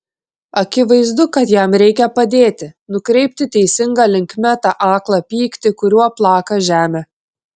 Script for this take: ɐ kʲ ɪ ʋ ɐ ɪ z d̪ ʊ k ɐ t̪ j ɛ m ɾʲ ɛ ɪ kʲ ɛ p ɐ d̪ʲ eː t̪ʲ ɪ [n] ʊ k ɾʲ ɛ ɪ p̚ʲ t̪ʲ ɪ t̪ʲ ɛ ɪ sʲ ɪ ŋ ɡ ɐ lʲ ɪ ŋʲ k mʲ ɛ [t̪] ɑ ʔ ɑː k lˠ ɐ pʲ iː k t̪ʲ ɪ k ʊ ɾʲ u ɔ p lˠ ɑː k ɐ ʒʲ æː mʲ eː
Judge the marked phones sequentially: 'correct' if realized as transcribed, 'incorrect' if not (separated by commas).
correct, correct